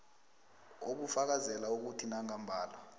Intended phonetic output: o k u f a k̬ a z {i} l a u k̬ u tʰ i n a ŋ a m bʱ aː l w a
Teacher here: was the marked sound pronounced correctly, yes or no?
no